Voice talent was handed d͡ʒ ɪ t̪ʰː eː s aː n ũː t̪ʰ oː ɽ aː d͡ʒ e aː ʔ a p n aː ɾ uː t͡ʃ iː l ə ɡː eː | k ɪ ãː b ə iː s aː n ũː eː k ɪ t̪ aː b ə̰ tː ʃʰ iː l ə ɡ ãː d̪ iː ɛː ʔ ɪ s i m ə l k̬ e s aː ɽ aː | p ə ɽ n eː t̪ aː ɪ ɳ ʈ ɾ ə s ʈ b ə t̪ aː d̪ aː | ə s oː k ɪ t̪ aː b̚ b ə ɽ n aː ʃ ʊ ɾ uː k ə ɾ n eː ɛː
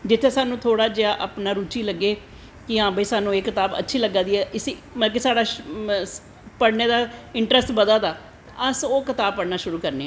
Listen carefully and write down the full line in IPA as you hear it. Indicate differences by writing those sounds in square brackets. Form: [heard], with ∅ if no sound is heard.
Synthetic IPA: d͡ʒ ɪ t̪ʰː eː s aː n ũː t̪ʰ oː ɽ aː d͡ʒ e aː ʔ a p n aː ɾ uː t͡ʃ iː l ə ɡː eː | k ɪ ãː b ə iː s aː n ũː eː k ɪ t̪ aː b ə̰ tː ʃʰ iː l ə ɡ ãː d̪ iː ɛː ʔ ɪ s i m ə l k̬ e s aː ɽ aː | p ə ɽ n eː [d̪] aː ɪ ɳ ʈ ɾ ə s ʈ b ə [d̪] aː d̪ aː | ə s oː k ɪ t̪ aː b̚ [p] ə ɽ n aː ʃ ʊ ɾ uː k ə ɾ n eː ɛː